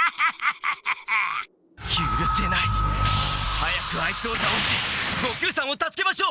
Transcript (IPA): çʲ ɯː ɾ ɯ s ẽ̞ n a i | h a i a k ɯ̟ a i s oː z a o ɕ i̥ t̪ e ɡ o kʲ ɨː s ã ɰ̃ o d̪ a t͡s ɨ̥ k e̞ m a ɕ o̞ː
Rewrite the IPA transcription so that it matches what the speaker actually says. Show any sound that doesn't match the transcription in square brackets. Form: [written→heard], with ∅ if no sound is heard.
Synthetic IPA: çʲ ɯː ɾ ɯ s [ẽ̞→e̞] n a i | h a [i→j] a k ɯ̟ a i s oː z a o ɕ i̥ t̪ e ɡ o kʲ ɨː s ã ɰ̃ o [d̪→t̪] a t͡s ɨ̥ k e̞ m a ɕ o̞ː